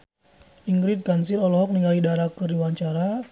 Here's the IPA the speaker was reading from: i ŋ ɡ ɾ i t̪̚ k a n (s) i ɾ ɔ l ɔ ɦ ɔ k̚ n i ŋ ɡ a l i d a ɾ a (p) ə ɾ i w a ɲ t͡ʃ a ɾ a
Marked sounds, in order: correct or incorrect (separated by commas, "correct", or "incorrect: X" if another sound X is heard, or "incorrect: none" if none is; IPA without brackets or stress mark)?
correct, incorrect: k